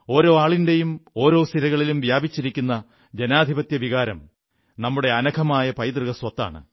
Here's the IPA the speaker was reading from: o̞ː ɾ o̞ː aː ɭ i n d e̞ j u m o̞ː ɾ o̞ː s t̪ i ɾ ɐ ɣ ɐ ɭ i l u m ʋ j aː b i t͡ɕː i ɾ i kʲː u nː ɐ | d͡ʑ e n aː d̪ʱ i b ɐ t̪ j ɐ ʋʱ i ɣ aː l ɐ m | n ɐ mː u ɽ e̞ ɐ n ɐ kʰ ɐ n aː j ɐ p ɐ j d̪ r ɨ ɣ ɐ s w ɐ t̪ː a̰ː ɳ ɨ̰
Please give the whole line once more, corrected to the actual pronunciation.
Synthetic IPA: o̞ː ɾ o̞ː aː ɭ i n d e̞ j u m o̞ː ɾ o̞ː s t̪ i ɾ ɐ ɣ ɐ ɭ i l u m ʋ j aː b i t͡ɕː i ɾ i kʲː u nː ɐ | d͡ʑ e n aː d̪ʱ i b ɐ t̪ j ɐ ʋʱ i ɣ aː ɾ ɐ m | n ɐ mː u ɽ e̞ ɐ n ɐ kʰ ɐ m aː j ɐ p ɐ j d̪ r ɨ ɣ ɐ s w ɐ t̪ː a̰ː ɳ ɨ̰